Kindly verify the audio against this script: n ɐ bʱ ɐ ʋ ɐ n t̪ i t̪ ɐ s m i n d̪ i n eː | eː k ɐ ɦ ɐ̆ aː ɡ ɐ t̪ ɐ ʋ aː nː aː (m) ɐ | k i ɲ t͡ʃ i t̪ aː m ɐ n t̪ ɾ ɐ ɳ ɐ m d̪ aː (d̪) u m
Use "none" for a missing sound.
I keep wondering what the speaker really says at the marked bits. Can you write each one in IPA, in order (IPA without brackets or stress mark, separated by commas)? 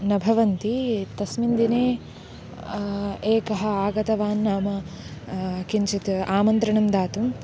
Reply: m, t̪